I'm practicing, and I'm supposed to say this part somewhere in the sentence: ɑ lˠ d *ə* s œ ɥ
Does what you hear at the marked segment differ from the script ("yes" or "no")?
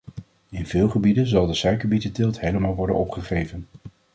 no